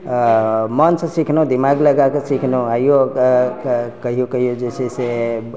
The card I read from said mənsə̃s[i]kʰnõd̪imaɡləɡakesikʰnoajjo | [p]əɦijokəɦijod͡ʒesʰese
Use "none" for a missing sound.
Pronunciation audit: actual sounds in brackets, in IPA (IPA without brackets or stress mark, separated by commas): i, k